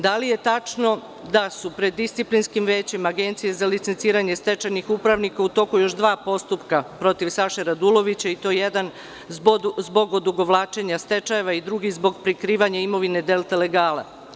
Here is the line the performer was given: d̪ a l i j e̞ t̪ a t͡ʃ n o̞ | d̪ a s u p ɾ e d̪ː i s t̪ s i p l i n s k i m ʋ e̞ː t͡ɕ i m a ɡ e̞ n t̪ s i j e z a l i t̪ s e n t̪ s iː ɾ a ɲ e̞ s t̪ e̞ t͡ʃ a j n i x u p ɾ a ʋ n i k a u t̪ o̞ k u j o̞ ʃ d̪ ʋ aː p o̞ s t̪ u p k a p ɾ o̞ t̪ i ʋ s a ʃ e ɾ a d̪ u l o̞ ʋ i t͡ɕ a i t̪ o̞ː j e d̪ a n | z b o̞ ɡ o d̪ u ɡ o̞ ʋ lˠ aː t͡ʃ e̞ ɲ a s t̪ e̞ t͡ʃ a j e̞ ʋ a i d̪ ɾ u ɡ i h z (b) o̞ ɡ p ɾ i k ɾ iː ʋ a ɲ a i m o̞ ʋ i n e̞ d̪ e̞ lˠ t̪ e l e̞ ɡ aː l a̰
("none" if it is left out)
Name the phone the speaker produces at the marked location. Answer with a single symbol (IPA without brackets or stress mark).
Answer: b